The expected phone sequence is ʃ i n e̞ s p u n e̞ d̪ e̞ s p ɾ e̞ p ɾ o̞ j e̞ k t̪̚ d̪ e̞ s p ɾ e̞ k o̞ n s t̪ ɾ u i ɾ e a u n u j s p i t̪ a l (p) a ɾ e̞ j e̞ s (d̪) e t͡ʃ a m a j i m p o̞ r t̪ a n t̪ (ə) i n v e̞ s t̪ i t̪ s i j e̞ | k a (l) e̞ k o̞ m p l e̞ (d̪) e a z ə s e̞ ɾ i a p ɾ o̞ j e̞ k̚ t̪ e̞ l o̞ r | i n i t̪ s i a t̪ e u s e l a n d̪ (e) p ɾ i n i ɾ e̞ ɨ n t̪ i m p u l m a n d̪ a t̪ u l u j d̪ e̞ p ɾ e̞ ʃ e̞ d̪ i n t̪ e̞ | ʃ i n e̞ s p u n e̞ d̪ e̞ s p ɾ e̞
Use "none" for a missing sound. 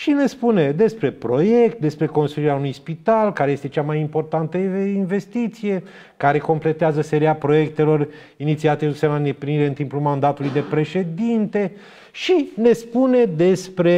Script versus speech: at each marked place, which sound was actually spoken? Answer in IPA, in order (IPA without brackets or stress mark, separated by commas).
k, t̪, ə, ɾ, t̪, e